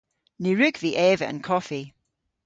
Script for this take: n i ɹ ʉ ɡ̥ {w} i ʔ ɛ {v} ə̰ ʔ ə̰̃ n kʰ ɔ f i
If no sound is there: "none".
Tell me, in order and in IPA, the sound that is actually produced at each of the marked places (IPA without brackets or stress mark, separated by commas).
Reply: v, v